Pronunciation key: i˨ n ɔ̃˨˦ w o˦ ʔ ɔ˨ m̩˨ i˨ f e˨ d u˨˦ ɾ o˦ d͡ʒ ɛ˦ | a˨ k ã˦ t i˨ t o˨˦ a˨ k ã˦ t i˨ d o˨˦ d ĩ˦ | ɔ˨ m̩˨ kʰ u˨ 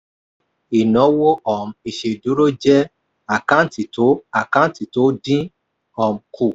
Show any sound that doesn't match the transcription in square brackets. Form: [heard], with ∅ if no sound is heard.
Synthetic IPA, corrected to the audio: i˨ n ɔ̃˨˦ w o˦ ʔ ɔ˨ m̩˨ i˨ [ʃ] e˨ d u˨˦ ɾ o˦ d͡ʒ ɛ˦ | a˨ k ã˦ t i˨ t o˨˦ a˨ k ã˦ t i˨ [t] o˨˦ d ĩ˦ | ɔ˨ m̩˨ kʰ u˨